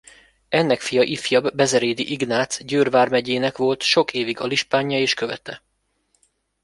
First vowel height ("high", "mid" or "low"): mid